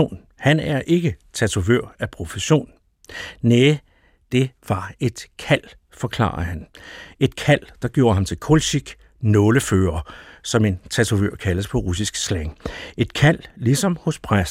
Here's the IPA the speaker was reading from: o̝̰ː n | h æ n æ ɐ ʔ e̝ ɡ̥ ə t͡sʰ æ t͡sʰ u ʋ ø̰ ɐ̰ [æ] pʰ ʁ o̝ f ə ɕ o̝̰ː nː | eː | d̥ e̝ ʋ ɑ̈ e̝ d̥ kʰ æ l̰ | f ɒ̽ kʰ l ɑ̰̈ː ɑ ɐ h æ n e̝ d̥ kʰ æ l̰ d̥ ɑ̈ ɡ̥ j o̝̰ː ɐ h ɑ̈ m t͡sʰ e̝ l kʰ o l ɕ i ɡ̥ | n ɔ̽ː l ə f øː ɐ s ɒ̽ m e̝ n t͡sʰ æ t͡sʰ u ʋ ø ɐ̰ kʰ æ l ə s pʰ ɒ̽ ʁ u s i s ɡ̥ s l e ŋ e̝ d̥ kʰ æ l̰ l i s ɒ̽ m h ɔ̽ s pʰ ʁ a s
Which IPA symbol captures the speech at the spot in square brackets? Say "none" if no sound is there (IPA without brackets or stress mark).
æ